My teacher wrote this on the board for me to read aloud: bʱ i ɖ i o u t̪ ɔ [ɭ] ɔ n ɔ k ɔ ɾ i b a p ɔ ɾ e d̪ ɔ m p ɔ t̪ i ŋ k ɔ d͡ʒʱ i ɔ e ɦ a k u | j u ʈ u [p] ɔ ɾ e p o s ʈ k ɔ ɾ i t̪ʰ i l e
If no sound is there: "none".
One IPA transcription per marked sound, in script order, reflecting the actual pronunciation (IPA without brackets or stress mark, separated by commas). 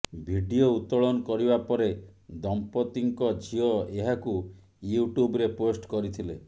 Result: ɭ, b